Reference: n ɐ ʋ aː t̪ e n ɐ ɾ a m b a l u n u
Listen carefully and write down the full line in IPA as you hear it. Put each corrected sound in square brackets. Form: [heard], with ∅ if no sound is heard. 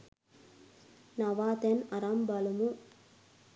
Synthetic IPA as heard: n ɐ ʋ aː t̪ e n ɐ ɾ a m b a l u [m] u